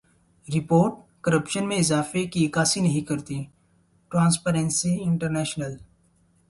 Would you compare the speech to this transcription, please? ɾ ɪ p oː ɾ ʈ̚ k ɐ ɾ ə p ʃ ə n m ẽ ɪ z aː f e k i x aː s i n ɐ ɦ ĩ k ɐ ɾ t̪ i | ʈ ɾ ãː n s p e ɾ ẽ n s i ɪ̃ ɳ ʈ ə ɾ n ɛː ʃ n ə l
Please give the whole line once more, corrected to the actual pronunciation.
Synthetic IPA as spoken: ɾ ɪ p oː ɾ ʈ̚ k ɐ ɾ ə p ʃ ə n m ẽ ɪ z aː f e k i k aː s i n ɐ ɦ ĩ k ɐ ɾ t̪ i | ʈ ɾ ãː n s p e ɾ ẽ n s i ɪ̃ ɳ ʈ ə ɾ n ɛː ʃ n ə l